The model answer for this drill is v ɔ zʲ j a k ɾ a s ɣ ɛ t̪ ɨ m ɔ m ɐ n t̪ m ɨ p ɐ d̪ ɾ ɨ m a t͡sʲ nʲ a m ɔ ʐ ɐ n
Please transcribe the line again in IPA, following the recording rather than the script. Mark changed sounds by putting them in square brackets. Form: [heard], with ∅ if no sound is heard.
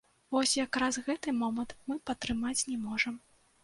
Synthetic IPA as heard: v ɔ [sʲ] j a k ɾ a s ɣ ɛ t̪ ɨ m ɔ m ɐ n t̪ m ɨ p ɐ [t̪] ɾ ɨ m a t͡sʲ nʲ [ɛ] m ɔ ʐ ɐ [m]